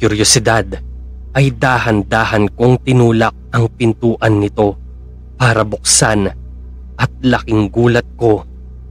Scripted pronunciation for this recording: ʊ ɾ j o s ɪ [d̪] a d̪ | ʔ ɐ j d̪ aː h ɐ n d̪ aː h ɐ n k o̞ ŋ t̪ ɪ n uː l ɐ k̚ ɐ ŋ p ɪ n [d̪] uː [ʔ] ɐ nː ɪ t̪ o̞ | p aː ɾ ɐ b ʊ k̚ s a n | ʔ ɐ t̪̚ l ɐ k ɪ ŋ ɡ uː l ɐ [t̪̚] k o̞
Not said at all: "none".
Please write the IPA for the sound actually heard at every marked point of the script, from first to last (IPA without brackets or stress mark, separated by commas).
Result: d̪, t̪, ʔ, t̪̚